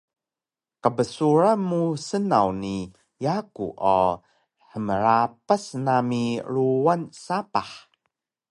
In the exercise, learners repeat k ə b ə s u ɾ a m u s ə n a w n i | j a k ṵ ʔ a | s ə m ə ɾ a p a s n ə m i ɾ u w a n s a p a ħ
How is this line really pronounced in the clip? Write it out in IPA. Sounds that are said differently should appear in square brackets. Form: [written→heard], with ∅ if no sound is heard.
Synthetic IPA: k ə b ə s u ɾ a m u s ə n a w n i | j a k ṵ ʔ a | [s→ħ] ə m ə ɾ a p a s n [ə→a] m i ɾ u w a n s a p a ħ